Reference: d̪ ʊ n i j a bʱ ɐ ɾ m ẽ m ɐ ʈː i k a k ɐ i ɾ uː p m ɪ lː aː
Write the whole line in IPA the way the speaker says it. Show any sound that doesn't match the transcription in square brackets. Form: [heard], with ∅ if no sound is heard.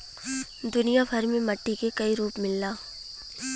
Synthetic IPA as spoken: d̪ ʊ n i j a bʱ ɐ ɾ m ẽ m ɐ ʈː i k [e] k ɐ i ɾ uː p m ɪ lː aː